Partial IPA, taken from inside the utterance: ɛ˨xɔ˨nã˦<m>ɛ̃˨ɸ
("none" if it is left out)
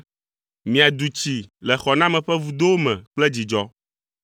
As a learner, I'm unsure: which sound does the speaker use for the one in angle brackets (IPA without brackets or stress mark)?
m